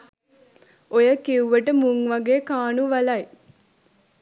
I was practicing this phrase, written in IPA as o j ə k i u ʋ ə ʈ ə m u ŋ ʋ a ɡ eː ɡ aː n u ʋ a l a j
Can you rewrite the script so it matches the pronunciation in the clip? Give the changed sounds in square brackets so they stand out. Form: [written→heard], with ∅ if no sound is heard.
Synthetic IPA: o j ə k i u ʋ ə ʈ ə m u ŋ ʋ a ɡ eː [ɡ→k] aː n u ʋ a l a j